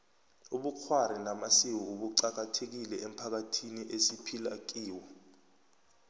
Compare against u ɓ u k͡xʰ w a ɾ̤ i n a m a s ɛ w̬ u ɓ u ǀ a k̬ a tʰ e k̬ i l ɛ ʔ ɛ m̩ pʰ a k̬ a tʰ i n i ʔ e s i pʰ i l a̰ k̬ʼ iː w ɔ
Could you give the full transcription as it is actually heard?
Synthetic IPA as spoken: u ɓ u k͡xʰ w a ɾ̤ i n a m a s i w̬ u ɓ u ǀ a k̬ a tʰ e k̬ i l ɛ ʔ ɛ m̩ pʰ a k̬ a tʰ i n i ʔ e s i pʰ i l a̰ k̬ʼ iː w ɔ